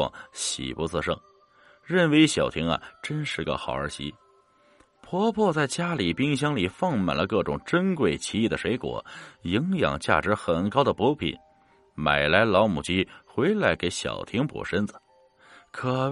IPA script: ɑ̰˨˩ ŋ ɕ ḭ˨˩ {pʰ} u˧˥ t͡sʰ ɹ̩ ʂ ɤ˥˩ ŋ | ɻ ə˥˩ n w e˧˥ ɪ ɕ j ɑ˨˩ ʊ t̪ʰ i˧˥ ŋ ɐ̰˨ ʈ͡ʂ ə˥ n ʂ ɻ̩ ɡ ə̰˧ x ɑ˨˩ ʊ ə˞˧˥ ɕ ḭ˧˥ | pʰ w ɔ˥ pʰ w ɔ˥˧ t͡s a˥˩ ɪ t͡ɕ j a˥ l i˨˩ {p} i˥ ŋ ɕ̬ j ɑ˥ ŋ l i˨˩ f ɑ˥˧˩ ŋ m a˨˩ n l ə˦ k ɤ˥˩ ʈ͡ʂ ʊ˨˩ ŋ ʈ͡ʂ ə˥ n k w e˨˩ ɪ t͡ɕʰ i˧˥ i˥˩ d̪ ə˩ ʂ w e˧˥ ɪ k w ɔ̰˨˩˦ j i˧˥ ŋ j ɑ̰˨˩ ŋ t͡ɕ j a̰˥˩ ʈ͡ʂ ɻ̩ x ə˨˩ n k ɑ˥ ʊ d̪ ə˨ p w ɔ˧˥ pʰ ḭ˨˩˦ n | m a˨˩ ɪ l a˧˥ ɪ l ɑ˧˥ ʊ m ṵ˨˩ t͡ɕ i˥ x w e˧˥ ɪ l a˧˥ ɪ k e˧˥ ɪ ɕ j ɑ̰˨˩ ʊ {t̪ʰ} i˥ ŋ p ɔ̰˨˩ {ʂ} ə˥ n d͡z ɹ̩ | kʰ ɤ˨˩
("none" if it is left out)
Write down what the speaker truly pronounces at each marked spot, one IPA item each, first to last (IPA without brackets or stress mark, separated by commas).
p, p, t̪ʰ, ʂ